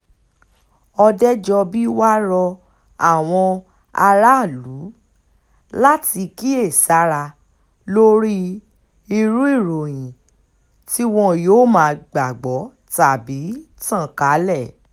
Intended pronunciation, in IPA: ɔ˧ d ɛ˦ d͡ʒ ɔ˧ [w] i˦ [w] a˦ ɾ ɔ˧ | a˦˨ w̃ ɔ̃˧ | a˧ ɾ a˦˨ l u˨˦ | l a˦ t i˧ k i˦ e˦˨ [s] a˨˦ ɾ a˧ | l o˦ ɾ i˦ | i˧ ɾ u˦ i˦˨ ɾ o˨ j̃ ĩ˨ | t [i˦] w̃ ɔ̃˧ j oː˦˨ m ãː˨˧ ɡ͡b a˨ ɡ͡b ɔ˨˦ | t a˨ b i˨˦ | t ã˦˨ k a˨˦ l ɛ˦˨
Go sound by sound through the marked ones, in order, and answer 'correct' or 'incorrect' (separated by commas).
incorrect, correct, correct, correct